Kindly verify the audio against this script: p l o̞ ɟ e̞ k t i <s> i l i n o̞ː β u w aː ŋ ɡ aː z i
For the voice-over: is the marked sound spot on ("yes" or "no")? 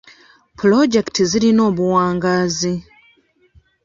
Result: no